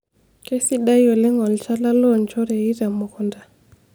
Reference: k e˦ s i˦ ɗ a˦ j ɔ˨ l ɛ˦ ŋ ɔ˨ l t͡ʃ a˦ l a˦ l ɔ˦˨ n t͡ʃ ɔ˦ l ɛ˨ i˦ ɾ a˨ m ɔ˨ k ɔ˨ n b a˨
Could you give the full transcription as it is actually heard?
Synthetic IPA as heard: k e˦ s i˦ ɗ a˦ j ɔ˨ l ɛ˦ ŋ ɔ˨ l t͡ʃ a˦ l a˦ l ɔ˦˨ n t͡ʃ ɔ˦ ɾ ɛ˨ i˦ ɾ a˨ m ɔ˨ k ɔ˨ n d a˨